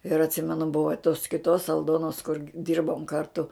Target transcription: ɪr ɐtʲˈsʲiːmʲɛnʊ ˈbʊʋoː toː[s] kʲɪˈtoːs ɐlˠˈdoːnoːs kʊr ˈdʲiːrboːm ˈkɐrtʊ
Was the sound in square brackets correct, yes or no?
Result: yes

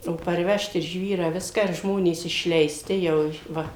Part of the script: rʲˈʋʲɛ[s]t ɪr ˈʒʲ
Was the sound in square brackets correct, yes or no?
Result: no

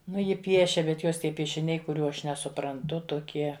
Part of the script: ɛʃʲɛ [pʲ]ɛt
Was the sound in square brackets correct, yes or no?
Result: no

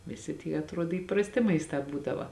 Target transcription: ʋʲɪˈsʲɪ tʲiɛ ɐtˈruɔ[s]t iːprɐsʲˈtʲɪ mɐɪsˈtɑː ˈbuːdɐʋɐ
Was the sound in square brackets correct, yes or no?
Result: no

